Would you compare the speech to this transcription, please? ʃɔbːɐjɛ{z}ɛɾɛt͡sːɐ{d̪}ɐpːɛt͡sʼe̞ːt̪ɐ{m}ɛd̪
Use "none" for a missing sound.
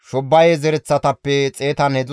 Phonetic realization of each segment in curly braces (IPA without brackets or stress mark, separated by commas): z, t̪, n